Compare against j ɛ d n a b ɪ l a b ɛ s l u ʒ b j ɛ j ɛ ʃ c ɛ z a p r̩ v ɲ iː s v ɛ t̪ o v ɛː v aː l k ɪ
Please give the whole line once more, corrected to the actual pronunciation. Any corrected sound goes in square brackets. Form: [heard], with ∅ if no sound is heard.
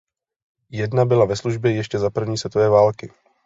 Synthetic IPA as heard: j ɛ d n a b ɪ l a [v] ɛ s l u ʒ b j ɛ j ɛ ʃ c ɛ z a p r̩ v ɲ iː s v ɛ t̪ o v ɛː v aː l k ɪ